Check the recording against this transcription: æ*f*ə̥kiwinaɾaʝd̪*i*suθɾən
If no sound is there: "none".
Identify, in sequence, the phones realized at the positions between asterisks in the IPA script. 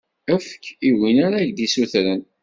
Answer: f, i

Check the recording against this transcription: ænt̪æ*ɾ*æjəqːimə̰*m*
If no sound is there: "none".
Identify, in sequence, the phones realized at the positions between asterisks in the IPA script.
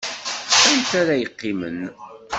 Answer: ɾ, n

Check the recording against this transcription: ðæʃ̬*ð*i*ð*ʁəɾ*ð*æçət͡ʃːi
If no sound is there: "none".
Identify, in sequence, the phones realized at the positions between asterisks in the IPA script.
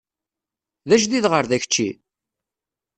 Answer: ð, ð, ð

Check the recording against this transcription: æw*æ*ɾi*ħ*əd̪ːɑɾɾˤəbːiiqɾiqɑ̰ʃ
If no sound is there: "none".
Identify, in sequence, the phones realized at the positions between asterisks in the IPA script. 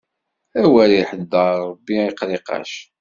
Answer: æ, ħ

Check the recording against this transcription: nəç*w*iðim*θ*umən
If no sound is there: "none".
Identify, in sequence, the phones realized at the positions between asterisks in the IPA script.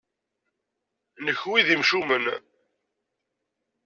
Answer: w, ʃ

